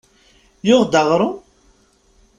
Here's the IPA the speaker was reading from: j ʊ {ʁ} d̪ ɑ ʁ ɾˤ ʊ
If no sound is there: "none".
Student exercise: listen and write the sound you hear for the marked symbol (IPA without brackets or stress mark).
ʁ